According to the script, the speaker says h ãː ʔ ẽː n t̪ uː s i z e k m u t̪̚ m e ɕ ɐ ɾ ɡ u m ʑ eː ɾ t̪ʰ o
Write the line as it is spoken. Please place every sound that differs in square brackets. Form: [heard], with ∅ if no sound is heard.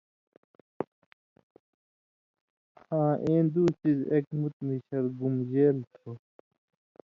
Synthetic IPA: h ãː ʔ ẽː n [d̪] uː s i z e k m u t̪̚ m [i] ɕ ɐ ɾ ɡ u m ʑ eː [l] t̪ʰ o